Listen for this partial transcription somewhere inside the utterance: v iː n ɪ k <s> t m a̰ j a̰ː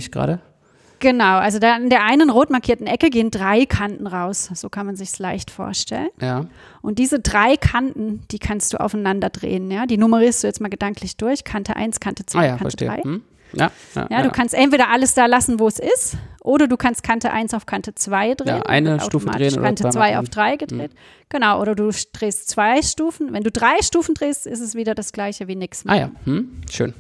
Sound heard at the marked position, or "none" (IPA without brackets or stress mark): s